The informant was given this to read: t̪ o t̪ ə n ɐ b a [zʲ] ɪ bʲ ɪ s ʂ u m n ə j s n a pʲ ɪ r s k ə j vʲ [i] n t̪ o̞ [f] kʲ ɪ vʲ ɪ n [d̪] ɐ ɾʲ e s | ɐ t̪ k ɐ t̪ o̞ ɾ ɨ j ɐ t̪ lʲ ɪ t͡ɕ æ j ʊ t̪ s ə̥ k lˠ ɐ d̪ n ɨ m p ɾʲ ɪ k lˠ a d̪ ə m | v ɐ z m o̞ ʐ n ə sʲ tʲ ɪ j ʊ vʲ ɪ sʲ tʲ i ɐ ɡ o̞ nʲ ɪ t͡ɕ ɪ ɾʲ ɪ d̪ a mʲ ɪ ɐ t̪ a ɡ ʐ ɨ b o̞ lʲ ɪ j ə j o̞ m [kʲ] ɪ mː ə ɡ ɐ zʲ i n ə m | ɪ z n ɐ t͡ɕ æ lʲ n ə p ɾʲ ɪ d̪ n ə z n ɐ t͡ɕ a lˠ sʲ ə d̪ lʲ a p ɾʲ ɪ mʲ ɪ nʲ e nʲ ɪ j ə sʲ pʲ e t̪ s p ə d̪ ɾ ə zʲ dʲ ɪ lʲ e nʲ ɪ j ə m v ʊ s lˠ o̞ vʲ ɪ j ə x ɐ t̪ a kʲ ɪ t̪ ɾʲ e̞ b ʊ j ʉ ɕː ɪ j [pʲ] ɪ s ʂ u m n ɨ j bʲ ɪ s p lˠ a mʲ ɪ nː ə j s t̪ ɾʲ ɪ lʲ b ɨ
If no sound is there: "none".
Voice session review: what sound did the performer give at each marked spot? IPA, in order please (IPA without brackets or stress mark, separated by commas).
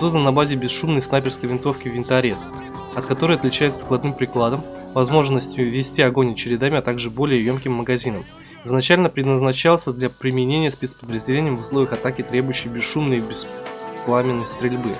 zʲ, ɪ, f, t̪, kʲ, bʲ